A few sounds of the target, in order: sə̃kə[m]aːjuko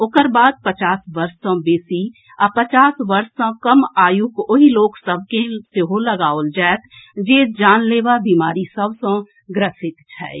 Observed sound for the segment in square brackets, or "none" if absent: m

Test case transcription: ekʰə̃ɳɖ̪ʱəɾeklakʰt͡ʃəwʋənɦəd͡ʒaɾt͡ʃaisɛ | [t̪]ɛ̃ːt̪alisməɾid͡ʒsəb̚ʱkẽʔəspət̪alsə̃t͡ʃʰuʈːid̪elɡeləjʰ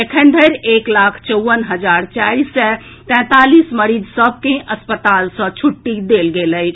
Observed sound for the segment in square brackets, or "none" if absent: t̪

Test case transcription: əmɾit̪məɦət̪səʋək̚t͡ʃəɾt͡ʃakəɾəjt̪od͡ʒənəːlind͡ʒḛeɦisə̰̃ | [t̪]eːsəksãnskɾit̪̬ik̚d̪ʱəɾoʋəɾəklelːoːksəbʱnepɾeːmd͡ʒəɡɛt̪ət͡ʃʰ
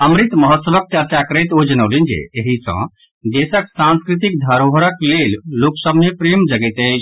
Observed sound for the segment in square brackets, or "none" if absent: d̪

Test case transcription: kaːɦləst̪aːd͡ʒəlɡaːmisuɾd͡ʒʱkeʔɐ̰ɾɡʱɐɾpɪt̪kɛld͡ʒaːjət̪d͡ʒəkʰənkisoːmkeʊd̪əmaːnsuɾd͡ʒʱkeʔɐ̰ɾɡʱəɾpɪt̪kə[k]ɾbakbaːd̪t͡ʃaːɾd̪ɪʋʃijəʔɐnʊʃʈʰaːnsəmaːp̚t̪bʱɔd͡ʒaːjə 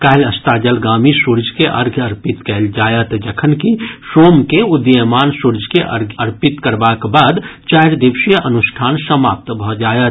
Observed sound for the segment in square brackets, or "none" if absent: none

